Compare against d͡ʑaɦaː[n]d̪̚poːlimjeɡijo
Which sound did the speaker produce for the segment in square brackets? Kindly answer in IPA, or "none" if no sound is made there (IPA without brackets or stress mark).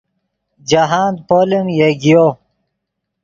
n